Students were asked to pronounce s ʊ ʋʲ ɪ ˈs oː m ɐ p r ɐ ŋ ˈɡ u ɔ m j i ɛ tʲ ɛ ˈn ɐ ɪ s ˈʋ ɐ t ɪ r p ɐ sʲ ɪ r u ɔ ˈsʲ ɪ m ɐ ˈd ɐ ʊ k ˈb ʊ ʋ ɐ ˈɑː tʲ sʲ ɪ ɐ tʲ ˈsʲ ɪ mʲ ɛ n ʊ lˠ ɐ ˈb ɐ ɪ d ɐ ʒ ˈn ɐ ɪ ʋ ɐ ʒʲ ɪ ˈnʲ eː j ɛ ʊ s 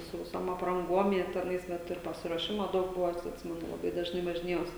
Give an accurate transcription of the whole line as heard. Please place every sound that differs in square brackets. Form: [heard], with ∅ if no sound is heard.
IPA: s ʊ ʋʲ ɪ ˈs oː m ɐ p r ɐ ŋ ˈɡ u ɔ m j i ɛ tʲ ɛ ˈn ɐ ɪ s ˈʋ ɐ t ɪ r p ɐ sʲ ɪ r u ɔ [ˈʃʲ] ɪ m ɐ ˈd ɐ ʊ k ˈb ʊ ʋ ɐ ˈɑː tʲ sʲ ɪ ɐ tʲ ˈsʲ ɪ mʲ ɛ n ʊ lˠ ɐ ˈb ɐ ɪ d ɐ ʒ ˈn ɐ ɪ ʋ ɐ ʒʲ ɪ ˈnʲ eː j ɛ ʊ s